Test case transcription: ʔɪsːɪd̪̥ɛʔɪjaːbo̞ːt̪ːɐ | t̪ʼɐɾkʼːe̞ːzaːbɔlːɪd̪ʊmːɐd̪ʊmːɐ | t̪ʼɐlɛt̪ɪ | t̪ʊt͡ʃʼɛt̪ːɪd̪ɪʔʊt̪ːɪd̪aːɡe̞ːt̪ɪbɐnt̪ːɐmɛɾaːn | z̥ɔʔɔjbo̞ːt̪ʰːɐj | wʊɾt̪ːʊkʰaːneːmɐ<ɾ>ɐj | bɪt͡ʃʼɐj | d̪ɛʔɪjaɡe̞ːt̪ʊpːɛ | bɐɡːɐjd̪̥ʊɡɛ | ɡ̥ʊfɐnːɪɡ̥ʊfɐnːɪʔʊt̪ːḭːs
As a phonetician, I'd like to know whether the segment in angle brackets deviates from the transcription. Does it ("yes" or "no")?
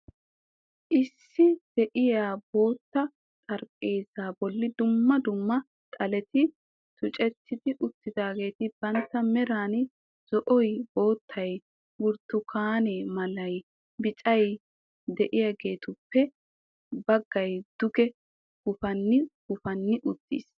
yes